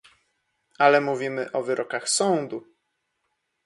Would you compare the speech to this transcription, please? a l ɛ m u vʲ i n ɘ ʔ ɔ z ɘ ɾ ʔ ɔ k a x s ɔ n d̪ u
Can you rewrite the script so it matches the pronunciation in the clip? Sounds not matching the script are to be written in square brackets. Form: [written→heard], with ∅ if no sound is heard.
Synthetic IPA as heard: a l ɛ m u vʲ i [n→m] ɘ ʔ ɔ [z→v] ɘ ɾ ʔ ɔ k a x s ɔ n d̪ u